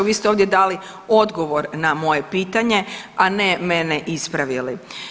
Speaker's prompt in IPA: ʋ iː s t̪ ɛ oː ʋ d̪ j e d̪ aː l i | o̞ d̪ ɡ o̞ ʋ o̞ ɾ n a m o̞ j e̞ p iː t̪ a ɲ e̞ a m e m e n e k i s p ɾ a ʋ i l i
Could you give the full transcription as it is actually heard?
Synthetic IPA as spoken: ʋ iː s t̪ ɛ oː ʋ d̪ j e d̪ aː l i | o̞ d̪ ɡ o̞ ʋ o̞ ɾ n a m o̞ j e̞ p iː t̪ a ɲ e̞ a n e m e n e ʔ i s p ɾ a ʋ i l i